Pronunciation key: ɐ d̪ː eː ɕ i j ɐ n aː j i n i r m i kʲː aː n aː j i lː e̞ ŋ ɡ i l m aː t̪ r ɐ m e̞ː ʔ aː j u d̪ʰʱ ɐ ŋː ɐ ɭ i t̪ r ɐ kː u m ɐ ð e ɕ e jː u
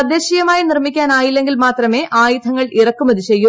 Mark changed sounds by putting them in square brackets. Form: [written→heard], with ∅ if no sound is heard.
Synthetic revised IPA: ɐ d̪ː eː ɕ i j ɐ [n→m] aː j i n i r m i kʲː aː n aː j i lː e̞ ŋ ɡ i l m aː t̪ r ɐ m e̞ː ʔ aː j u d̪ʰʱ ɐ ŋː ɐ ɭ i [t̪→∅] r ɐ kː u m ɐ ð [e→i] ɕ e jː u